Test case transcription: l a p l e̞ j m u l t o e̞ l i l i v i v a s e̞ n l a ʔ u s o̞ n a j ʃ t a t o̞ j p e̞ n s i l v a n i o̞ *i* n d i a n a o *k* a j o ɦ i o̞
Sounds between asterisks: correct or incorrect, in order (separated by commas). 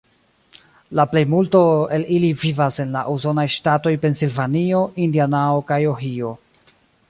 correct, correct